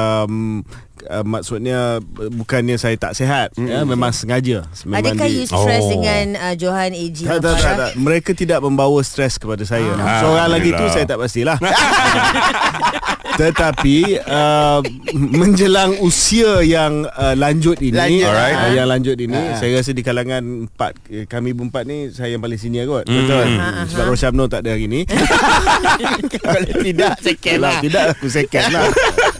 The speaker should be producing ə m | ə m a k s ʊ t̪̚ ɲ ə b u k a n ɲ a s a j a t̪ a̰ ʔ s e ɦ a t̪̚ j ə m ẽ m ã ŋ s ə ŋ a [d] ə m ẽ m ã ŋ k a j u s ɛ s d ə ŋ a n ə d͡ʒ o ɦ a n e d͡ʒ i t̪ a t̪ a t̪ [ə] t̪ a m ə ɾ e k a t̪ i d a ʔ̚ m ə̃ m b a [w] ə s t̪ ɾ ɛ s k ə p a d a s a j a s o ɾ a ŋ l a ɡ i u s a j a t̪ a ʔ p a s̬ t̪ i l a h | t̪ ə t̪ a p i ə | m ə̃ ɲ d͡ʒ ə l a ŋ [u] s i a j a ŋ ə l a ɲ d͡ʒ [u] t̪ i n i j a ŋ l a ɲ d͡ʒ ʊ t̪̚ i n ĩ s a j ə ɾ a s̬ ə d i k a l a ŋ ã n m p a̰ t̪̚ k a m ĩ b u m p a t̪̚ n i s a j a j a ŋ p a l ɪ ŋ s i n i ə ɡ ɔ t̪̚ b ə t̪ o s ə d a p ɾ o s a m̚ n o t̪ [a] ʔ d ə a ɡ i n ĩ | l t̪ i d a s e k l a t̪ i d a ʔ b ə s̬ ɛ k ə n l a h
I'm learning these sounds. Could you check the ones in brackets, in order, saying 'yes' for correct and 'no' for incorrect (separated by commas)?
no, no, yes, yes, no, yes